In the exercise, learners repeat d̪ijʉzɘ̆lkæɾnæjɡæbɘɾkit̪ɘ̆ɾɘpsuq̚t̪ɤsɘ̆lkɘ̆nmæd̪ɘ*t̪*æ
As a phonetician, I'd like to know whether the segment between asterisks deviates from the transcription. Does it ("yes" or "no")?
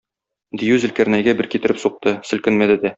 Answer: yes